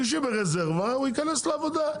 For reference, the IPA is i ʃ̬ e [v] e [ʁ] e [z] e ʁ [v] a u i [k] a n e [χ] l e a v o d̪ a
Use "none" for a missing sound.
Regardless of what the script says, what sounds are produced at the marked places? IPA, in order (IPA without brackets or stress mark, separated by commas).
b, ʁ, z, v, k, s